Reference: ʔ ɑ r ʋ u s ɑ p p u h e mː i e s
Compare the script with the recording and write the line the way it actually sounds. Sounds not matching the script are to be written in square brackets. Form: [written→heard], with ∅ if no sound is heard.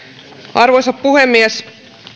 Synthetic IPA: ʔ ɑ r ʋ [u→o] s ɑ p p u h e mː i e s